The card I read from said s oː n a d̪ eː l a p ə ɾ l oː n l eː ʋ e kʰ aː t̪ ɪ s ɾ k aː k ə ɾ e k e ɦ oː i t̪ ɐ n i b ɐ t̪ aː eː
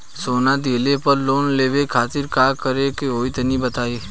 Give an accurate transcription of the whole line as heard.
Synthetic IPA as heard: s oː n a d̪ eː l e p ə ɾ l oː n l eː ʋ e kʰ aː t̪ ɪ ɾ k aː k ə ɾ e k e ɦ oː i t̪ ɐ n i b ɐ t̪ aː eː